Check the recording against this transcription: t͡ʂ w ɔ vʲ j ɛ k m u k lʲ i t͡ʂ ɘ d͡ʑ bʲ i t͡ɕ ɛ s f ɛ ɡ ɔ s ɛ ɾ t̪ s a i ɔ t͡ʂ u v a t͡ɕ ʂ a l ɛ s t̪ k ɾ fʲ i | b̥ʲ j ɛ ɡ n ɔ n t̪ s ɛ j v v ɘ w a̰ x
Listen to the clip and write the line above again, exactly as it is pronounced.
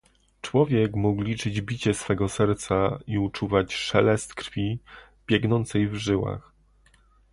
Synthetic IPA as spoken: t͡ʂ w ɔ vʲ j ɛ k m u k lʲ i t͡ʂ ɘ d͡ʑ bʲ i t͡ɕ ɛ s f ɛ ɡ ɔ s ɛ ɾ t̪ s a i u t͡ʂ u v a t͡ɕ ʂ ɛ l ɛ s t̪ k ɾ fʲ i | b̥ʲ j ɛ ɡ n ɔ n t̪ s ɛ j v ʐ ɘ w a̰ x